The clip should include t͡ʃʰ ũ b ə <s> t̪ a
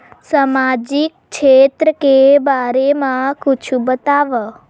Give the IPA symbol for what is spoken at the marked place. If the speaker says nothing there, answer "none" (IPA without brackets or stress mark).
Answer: none